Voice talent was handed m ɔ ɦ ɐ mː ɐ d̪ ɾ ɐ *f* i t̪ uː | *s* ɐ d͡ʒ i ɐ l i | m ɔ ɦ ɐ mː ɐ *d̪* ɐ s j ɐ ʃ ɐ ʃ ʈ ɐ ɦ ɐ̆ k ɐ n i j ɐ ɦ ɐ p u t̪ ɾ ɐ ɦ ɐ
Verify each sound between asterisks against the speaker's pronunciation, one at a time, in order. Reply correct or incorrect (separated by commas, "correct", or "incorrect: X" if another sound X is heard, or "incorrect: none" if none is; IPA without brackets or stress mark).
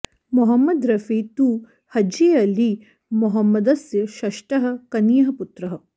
correct, incorrect: h, correct